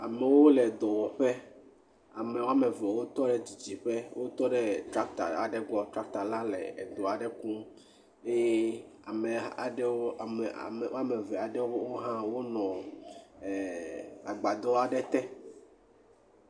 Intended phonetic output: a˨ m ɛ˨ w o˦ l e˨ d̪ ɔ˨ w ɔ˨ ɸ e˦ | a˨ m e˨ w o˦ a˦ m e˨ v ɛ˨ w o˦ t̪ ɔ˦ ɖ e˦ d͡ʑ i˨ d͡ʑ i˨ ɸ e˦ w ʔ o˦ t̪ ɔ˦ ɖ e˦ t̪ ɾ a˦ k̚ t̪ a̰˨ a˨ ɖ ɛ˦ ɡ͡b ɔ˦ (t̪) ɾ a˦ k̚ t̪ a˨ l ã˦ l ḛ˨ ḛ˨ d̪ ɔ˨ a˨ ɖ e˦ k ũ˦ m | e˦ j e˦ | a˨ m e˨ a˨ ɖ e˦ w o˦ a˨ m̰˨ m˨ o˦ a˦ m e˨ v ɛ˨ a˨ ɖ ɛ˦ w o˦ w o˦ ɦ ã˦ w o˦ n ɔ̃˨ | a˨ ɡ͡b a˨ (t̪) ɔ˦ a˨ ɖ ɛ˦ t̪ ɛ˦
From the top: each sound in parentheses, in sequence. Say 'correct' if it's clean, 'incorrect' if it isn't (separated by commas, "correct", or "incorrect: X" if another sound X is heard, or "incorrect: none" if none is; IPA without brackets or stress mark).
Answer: correct, incorrect: d̪